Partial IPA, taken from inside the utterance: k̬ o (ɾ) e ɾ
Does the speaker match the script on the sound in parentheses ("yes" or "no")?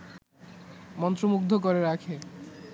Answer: yes